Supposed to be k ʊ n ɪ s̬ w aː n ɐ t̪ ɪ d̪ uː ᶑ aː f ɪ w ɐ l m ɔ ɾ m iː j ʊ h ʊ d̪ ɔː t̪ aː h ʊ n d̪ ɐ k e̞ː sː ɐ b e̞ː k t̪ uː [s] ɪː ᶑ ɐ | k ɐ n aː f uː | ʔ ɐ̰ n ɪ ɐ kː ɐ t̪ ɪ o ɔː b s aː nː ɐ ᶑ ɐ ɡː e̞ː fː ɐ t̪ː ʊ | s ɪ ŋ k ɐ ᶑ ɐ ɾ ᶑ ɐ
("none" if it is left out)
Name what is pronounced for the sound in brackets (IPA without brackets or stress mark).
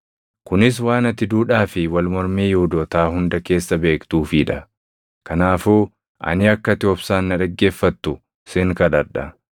f